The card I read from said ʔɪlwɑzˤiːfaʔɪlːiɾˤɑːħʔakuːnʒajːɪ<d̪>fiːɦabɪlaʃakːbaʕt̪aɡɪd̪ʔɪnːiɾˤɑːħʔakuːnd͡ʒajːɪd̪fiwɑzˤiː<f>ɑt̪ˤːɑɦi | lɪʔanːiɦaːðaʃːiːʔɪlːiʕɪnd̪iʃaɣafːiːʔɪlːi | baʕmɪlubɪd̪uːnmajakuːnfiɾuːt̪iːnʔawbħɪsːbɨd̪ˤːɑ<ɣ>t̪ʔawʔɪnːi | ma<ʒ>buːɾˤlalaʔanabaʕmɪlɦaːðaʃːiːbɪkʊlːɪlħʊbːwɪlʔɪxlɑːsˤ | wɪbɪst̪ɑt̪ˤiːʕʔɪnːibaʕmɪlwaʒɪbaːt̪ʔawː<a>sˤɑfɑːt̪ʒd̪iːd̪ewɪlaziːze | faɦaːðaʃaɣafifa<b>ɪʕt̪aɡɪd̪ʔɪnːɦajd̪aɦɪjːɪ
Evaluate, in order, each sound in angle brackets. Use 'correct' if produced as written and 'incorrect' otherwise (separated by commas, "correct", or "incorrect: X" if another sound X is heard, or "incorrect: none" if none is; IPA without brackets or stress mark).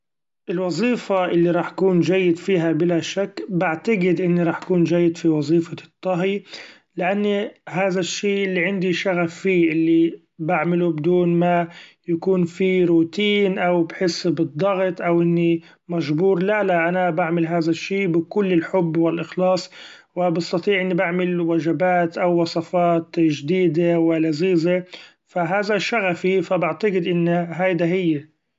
correct, correct, correct, correct, incorrect: ɑ, correct